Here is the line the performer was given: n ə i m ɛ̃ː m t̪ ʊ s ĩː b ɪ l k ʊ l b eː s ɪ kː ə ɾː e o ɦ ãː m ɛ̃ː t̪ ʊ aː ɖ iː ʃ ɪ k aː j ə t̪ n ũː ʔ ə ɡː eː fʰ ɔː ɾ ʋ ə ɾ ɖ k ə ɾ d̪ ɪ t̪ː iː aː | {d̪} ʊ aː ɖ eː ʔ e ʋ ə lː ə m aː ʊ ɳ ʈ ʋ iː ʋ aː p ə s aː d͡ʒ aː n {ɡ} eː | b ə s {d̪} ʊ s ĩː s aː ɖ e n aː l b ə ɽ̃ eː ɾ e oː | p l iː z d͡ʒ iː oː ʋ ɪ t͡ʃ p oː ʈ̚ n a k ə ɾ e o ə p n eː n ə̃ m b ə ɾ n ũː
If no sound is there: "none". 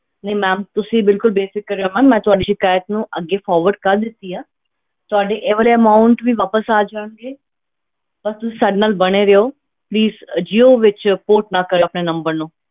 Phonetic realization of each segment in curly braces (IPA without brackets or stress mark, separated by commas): t̪, ɡ, t̪